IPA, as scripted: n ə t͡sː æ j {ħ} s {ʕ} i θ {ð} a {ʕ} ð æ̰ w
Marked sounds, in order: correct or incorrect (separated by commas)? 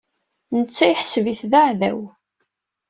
correct, incorrect, correct, correct